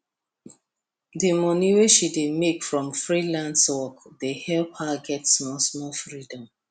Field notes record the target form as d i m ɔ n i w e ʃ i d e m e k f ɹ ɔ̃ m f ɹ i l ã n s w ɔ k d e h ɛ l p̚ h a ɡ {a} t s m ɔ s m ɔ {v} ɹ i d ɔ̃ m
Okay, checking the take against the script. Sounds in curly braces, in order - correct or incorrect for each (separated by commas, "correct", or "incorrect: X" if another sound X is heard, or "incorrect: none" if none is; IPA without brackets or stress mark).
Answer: incorrect: ɛ, incorrect: f